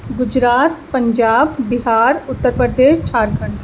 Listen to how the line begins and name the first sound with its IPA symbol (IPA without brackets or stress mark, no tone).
ɡ